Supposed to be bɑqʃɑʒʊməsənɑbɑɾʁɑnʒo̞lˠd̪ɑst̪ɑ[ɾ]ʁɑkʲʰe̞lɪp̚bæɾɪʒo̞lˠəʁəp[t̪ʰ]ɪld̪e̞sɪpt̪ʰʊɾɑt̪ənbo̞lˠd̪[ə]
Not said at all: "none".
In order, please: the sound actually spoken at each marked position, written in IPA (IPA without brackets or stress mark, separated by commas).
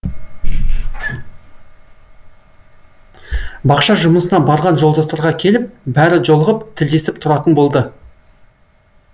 ɾ, t̪ʰ, ə